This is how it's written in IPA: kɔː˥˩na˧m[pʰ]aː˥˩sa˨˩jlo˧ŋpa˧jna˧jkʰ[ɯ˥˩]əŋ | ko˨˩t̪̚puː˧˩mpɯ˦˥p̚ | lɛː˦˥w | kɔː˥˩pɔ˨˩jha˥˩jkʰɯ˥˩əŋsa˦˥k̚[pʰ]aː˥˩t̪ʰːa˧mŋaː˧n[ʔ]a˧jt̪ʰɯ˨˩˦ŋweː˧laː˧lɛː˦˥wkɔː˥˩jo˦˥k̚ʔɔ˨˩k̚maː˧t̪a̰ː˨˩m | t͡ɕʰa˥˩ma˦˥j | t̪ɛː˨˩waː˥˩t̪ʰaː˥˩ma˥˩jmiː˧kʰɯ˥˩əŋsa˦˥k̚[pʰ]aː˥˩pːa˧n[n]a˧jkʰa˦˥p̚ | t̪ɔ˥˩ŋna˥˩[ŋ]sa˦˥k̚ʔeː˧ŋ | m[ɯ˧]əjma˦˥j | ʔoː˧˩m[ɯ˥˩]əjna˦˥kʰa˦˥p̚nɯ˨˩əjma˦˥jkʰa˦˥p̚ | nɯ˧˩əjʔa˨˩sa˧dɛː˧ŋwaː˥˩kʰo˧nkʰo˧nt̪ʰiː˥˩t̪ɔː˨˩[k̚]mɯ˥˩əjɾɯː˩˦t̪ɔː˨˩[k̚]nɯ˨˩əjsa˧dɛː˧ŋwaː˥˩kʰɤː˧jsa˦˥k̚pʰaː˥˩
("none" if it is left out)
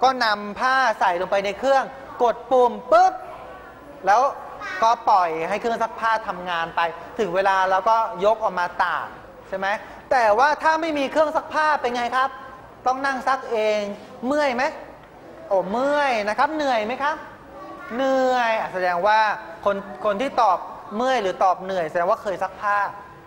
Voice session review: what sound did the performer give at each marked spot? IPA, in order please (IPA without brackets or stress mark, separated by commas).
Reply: pʰ, ɯ˥˩, pʰ, p, pʰ, ŋ, ŋ, ɯ˥˩, ɯ˥˩, p̚, p̚